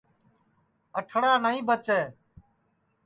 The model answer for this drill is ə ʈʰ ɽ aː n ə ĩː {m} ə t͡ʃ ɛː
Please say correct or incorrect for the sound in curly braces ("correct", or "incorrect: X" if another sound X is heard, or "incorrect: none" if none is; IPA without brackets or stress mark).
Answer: incorrect: b